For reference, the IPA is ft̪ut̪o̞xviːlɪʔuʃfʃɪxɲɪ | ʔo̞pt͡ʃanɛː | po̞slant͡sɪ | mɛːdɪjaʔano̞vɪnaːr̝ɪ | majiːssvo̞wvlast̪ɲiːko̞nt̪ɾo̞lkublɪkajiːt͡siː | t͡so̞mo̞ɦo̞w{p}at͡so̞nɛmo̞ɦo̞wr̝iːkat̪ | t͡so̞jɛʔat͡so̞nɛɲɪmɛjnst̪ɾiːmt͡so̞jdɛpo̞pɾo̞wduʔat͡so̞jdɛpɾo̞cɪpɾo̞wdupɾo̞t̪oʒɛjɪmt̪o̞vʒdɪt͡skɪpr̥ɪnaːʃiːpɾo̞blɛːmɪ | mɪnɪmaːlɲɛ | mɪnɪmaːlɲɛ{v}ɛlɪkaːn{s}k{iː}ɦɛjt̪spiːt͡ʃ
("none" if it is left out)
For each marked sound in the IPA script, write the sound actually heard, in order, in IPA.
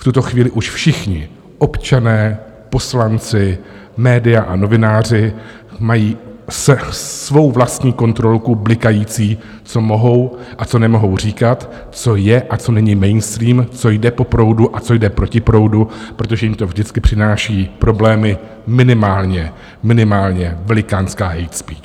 ʔ, v, s, aː

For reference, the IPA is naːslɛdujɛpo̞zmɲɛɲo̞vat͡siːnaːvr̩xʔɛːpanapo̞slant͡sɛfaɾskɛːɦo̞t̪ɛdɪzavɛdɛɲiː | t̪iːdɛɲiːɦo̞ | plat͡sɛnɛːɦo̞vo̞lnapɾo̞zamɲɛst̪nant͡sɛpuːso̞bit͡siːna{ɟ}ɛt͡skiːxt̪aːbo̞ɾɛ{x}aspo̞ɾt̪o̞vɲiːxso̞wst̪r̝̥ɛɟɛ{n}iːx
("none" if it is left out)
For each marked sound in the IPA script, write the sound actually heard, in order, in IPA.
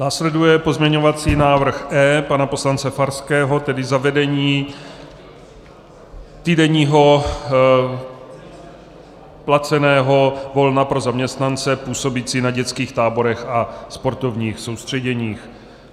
ɟ, x, ɲ

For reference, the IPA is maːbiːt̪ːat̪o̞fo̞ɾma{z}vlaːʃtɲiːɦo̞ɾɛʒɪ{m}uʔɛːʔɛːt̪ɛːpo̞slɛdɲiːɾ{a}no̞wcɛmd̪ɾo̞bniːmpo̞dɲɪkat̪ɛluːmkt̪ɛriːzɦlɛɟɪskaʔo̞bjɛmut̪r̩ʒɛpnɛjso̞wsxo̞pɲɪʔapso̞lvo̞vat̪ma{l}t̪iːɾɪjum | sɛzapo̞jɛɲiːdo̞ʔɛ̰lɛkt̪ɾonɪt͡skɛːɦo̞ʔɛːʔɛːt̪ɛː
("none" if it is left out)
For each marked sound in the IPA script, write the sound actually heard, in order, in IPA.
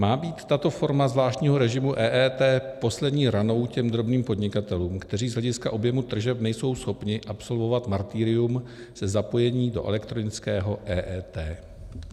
z, m, a, ɾ

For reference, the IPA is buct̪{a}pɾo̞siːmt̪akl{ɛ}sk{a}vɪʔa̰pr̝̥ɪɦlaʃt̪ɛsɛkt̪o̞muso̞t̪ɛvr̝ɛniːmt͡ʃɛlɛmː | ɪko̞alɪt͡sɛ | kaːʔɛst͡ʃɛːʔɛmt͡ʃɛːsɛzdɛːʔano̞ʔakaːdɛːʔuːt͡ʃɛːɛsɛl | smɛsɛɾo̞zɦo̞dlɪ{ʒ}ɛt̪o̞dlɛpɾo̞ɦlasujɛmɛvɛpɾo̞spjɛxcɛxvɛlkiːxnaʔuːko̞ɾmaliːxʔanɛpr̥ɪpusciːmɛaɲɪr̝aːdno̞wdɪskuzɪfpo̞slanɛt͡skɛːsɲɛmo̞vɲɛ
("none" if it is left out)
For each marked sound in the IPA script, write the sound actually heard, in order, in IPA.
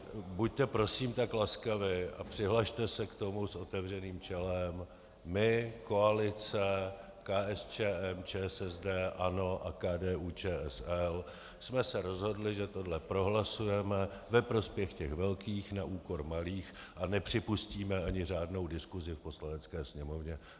ɛ, a, a, ʒ

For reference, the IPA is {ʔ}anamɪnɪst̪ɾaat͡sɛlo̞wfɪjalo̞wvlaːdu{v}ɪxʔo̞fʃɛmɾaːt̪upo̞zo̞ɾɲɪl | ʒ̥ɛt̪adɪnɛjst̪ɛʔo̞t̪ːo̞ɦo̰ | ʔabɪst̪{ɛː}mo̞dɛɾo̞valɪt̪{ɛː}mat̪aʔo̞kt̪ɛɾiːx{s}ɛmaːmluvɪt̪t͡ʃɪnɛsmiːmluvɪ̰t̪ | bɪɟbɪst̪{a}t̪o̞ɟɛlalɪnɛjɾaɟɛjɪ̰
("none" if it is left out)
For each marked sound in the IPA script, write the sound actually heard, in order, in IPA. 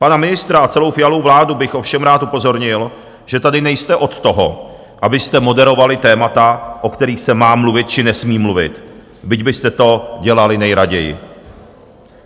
p, b, ɛ, ɛː, s, ɛ

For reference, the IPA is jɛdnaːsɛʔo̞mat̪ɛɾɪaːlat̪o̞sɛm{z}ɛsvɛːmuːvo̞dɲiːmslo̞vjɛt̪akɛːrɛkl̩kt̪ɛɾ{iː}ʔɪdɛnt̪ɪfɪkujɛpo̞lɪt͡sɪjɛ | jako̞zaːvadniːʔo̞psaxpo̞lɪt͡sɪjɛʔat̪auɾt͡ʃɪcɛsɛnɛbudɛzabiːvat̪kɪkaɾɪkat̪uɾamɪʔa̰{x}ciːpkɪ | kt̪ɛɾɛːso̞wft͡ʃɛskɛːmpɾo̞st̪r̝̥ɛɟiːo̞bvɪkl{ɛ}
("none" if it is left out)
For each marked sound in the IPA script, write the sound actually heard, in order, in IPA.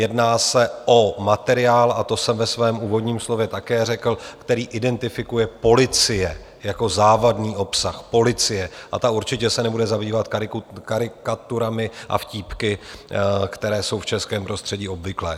v, iː, f, ɛː

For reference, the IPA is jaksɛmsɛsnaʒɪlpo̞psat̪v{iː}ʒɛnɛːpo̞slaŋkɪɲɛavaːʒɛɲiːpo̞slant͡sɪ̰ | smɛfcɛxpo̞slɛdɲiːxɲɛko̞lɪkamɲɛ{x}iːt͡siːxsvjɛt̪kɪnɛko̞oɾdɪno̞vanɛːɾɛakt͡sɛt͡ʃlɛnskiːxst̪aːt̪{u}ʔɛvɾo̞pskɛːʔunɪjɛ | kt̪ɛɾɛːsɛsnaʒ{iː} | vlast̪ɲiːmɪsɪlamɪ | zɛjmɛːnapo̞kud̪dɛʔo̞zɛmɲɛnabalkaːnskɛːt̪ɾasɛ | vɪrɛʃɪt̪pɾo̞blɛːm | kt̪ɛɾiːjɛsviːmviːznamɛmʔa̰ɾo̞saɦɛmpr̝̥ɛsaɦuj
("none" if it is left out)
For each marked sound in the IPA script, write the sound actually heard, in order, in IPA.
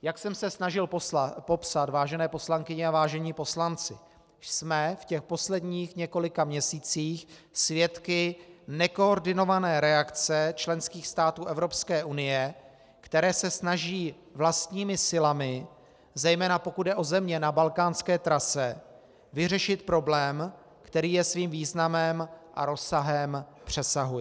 aː, s, uː, iː

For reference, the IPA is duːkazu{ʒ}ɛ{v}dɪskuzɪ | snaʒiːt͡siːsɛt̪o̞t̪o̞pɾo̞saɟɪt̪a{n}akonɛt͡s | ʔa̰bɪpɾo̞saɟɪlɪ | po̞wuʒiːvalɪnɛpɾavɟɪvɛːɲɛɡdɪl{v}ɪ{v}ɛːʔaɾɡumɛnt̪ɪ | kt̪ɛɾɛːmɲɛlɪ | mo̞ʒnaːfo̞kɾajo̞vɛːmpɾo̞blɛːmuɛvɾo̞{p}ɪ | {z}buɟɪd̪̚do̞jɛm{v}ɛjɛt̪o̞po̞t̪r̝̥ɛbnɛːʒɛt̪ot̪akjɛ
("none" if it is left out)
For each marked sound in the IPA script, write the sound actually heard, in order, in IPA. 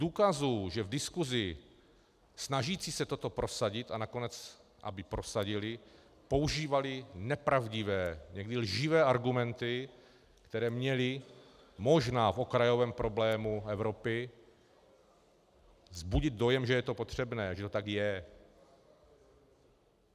ʒ, v, n, ʒ, v, p, z, ʒ

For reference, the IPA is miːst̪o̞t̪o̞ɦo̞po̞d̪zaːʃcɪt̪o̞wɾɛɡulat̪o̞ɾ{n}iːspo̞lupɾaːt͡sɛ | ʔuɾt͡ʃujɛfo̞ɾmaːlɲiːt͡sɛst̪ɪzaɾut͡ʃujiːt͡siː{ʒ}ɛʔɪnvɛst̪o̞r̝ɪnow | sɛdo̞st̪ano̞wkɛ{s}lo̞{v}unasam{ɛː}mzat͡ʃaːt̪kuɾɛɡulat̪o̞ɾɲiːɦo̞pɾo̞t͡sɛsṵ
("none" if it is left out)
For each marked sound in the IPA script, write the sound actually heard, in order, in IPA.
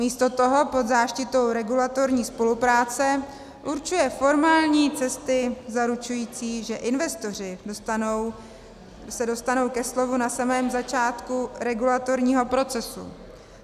ɲ, ʒ, s, v, ɛː

